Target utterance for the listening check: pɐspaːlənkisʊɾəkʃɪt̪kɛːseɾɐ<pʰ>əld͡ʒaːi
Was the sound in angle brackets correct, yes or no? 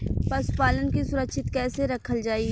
no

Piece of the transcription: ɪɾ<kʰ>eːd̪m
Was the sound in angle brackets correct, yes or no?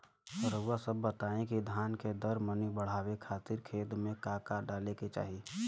yes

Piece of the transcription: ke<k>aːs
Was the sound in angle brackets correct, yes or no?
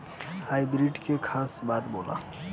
no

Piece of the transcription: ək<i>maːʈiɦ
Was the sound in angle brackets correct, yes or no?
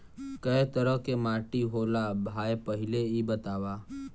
no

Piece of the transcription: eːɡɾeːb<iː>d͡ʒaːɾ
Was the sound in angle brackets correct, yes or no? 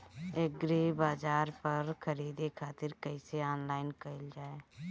no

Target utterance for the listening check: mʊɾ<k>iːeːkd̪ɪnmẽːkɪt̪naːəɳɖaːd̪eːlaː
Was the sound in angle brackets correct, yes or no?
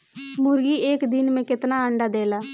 no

